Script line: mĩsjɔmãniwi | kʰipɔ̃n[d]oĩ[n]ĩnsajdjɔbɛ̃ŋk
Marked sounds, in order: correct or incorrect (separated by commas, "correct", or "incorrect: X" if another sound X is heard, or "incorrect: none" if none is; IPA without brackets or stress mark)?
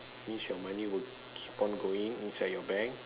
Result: incorrect: ɡ, incorrect: ŋ